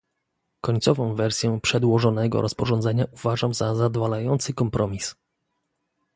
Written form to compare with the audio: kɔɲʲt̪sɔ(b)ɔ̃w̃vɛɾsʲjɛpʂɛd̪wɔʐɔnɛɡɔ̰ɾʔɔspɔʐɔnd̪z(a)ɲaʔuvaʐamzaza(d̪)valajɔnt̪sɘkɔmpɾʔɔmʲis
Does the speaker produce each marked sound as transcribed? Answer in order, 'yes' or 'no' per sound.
no, no, yes

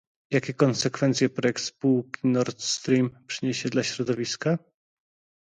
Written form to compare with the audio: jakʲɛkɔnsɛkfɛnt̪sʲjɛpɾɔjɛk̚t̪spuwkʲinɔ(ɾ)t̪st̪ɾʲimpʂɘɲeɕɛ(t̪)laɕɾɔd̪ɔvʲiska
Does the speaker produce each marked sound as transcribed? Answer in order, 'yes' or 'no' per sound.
yes, no

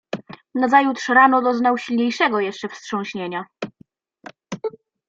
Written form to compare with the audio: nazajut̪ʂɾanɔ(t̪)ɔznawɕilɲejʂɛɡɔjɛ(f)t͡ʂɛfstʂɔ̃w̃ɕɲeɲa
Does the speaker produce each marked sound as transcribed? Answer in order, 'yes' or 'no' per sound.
no, no

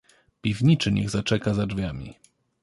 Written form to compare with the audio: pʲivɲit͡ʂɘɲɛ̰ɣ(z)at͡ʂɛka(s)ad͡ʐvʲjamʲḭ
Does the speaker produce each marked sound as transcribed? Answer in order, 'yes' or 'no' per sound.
yes, no

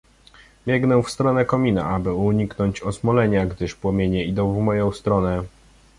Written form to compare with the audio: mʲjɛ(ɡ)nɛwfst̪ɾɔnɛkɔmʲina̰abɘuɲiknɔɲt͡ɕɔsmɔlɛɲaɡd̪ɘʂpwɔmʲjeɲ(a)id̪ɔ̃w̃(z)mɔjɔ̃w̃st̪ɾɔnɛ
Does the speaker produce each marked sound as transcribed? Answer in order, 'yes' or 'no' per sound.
yes, no, no

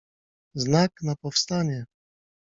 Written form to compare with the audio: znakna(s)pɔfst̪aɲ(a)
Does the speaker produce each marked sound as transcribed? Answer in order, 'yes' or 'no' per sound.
no, no

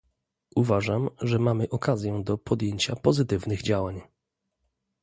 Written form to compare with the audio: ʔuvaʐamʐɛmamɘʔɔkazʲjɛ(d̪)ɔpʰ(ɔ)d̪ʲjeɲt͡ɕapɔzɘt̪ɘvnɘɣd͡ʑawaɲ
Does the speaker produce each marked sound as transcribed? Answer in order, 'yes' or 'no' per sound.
yes, yes

